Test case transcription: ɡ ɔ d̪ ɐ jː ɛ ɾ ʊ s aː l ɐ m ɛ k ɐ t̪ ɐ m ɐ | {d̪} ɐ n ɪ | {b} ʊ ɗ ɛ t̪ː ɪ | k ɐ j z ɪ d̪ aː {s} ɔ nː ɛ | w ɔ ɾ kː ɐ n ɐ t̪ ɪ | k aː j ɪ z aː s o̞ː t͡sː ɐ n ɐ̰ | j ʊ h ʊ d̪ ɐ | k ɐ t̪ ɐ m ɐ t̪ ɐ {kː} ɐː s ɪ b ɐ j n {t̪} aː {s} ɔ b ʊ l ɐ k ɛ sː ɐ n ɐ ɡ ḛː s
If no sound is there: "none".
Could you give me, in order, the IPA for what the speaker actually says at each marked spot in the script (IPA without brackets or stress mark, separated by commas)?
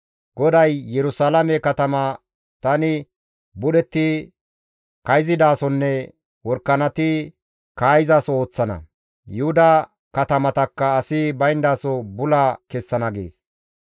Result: t̪, b, s, kː, d̪, s